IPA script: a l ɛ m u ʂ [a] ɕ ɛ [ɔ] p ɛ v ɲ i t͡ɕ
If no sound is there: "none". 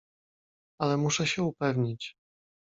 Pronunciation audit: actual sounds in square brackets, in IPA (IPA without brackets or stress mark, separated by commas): ɛ, u